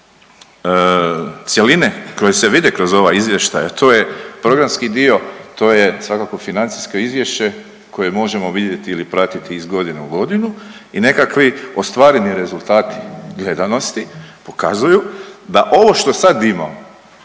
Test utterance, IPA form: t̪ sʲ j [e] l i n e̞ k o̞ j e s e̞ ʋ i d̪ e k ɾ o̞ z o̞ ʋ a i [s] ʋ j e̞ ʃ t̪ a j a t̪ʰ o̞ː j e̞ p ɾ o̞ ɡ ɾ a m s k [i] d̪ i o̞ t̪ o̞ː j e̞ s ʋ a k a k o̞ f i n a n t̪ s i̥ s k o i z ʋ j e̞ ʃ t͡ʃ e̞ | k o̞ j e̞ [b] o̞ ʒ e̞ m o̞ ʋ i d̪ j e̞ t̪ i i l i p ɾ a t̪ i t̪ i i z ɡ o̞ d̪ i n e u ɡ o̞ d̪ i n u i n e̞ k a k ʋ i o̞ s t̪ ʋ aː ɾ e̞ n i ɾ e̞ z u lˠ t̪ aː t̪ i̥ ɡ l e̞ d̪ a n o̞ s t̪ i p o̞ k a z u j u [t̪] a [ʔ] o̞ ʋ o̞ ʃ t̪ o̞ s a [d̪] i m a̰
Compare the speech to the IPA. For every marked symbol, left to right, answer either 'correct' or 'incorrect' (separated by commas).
correct, incorrect, correct, incorrect, incorrect, correct, correct